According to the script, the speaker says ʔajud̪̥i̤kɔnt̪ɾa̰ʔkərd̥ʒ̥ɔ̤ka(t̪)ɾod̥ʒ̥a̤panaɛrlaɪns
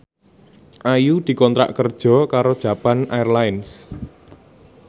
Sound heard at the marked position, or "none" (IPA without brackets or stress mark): none